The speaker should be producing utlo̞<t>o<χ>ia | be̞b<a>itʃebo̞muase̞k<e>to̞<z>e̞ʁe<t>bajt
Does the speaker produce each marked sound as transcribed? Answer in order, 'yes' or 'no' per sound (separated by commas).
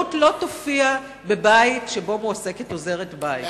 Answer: yes, no, yes, yes, yes, yes